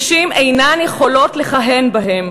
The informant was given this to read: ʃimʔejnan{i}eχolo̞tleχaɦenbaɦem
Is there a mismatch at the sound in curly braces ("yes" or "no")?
yes